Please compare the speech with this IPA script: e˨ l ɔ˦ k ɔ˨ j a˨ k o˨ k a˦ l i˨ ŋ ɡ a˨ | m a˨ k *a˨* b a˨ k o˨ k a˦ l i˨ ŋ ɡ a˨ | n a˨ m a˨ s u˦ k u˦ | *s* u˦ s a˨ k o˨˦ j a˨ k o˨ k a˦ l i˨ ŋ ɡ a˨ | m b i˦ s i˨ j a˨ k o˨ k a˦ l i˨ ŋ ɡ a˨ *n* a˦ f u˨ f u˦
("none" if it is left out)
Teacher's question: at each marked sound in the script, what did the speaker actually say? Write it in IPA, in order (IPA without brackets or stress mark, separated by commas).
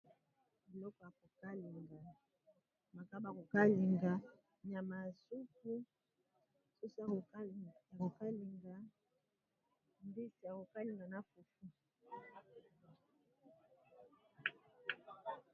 a˦, s, n